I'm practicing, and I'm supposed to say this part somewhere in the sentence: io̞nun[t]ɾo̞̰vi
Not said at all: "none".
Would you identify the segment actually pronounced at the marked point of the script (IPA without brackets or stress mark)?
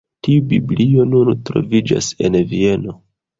t